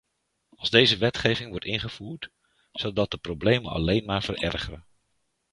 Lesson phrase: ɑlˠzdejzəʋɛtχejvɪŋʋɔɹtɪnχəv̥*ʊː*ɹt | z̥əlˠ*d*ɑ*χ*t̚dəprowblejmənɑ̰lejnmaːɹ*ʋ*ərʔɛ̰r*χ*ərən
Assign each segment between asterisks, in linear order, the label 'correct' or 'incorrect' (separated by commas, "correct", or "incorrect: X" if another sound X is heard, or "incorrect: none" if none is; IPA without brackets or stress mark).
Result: incorrect: uː, correct, incorrect: none, incorrect: v, correct